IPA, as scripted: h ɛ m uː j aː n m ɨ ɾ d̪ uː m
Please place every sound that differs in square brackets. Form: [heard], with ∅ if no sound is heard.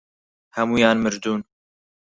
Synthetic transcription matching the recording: h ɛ m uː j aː n m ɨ ɾ d̪ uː [n]

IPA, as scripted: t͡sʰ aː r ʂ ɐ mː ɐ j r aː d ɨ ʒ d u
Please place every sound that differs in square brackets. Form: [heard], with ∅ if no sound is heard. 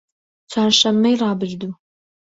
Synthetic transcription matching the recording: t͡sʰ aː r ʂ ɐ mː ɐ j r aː [b] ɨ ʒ d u

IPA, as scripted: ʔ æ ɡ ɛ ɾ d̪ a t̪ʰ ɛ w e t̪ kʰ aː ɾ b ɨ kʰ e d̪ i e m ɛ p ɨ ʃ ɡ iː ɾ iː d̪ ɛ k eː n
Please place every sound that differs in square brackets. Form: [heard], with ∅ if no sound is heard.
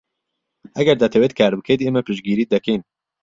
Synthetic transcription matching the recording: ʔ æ ɡ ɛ ɾ d̪ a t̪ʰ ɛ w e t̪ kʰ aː ɾ b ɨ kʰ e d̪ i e m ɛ p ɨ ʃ ɡ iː ɾ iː d̪ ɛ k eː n

